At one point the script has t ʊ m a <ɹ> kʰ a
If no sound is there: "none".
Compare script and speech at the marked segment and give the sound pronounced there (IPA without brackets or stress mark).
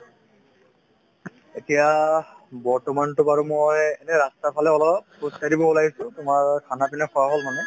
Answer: ɹ